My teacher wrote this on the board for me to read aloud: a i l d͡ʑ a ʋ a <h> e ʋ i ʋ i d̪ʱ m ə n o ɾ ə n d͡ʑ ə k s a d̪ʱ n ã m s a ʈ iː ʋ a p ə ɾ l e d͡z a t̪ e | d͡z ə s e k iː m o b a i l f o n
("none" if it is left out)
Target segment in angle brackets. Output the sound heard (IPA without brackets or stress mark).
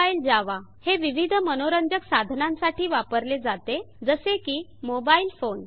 h